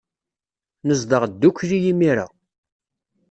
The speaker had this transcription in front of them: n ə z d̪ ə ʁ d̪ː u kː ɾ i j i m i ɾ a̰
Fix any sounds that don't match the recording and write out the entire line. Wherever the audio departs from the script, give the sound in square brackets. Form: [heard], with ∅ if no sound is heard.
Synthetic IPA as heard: n ə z d̪ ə ʁ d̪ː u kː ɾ i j i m i ɾ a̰